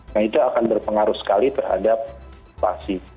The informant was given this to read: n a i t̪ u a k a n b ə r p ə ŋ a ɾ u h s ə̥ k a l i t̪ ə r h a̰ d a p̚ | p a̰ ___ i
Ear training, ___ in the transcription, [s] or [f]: s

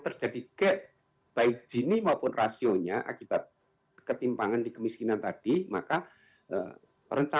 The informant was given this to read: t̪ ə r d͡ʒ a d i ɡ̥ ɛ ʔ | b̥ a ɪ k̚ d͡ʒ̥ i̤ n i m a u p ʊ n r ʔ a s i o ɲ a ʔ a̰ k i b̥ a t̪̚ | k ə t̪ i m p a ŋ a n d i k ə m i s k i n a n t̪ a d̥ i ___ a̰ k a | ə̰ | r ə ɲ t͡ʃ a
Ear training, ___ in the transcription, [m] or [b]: m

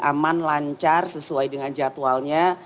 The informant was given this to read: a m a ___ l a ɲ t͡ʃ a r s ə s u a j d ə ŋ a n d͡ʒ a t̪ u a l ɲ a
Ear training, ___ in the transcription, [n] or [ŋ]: n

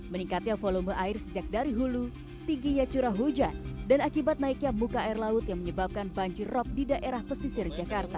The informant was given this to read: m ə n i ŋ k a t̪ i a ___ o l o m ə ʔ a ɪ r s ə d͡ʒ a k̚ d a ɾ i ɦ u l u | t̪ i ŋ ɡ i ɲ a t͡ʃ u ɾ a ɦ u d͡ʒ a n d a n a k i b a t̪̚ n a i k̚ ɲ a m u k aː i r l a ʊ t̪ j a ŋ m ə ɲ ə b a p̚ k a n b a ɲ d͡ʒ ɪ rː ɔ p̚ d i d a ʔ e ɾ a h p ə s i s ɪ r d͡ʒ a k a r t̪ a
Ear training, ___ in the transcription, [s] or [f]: f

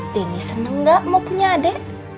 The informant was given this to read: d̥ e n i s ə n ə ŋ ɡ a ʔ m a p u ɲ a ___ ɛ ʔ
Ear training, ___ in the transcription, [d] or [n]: d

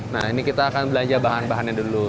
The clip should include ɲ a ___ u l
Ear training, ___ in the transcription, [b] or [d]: d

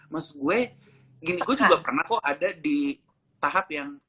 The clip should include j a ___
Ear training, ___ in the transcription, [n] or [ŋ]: ŋ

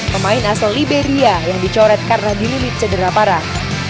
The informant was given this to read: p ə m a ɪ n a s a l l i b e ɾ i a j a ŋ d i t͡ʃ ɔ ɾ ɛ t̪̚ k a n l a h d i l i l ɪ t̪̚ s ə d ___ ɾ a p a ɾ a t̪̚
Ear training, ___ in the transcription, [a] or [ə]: ə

